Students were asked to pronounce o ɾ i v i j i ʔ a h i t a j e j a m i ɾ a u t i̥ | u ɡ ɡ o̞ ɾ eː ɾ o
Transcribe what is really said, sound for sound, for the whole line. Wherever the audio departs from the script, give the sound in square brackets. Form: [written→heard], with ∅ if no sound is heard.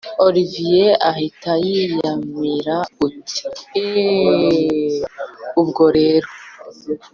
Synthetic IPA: o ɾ i v i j [i→e] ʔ a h i t a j [e→i] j a m i ɾ a u t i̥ | u [ɡ→b] ɡ o̞ ɾ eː ɾ o